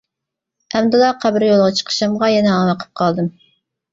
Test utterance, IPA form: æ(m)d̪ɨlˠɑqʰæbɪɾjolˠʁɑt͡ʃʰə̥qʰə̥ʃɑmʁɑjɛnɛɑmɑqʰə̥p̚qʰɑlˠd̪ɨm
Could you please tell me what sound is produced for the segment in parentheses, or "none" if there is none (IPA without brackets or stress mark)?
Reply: m